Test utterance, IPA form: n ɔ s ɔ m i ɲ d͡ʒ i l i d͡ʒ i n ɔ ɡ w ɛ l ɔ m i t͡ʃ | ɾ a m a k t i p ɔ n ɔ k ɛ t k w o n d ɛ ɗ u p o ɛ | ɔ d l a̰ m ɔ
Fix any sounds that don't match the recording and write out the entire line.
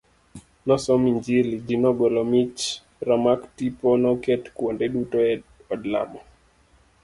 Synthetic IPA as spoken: n ɔ s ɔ m i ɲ d͡ʒ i l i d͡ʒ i n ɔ ɡ w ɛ l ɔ m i t͡ʃ | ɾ a m a k t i p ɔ n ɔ k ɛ t k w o n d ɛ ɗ u t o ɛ | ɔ d l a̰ m ɔ